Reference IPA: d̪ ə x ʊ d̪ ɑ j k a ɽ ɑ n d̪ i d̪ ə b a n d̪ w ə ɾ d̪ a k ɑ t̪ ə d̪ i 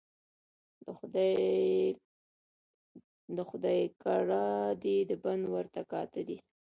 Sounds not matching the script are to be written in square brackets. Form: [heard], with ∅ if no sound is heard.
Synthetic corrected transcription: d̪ ə x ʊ d̪ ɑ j k a ɽ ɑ [∅] d̪ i d̪ ə b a n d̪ w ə ɾ [t̪] a k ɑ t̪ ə d̪ i